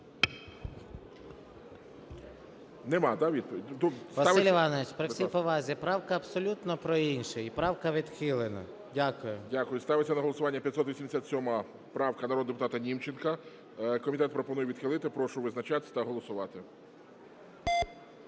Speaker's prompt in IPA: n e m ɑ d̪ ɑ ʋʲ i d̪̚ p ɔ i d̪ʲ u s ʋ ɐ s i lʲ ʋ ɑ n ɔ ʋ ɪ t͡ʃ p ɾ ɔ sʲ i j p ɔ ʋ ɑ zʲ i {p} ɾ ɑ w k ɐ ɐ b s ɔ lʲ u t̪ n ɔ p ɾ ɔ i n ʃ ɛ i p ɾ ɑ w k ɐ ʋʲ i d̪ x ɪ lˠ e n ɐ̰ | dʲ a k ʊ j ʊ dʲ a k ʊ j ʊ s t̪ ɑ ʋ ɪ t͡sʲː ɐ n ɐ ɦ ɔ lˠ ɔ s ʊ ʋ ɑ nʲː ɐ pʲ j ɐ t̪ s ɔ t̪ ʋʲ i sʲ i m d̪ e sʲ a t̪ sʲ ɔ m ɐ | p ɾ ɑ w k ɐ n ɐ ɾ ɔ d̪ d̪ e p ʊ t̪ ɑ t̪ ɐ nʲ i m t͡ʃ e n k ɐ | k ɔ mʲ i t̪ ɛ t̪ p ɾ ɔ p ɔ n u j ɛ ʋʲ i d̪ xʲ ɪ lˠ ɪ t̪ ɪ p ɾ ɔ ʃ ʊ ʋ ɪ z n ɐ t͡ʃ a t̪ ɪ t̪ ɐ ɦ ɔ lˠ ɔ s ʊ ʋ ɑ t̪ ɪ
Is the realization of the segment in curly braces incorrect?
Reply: no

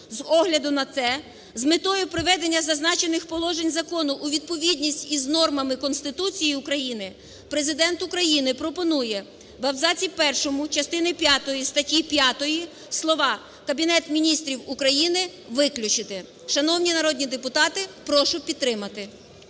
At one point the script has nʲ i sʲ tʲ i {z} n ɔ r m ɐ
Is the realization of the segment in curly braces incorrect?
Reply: no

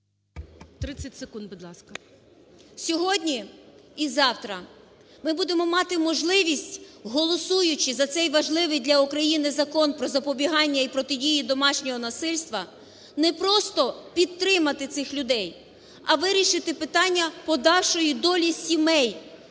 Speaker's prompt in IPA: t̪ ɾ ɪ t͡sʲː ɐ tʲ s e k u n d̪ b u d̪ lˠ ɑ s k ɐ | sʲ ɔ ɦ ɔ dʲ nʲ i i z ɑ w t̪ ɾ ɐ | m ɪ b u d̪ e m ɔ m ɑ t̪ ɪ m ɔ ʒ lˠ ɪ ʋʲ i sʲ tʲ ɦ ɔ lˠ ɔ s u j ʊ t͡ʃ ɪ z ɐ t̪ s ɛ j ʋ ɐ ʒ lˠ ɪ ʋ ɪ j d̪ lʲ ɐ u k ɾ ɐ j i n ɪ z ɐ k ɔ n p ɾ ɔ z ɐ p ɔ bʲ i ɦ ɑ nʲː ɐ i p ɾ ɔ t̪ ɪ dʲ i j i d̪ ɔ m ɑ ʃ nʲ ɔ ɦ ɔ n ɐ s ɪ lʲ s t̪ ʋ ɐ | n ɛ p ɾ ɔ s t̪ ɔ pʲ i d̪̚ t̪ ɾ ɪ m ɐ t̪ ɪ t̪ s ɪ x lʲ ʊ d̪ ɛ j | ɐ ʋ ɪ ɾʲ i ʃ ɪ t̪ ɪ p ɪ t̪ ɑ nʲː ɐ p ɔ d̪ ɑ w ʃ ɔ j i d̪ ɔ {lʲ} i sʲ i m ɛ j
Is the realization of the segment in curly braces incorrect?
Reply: no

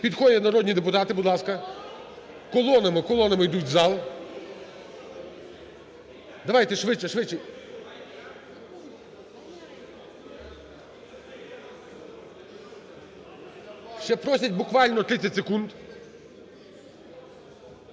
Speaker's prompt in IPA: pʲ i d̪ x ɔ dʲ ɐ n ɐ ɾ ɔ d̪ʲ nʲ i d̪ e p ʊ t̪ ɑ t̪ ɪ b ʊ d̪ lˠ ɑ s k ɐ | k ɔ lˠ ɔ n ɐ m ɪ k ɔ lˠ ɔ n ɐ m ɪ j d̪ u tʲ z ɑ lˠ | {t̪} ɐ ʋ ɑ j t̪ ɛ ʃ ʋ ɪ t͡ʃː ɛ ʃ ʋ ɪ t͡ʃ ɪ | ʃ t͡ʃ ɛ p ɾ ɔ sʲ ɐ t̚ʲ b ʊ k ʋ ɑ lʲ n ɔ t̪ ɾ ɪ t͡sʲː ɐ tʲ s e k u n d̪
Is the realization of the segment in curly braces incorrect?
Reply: yes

